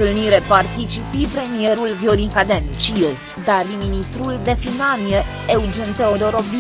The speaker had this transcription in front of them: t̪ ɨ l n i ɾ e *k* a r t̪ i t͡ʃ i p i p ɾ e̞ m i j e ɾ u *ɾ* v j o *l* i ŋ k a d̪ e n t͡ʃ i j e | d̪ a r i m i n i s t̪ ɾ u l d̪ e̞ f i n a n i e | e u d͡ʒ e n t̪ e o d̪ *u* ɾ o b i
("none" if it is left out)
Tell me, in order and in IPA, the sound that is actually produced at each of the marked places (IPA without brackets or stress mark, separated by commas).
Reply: p, l, ɾ, o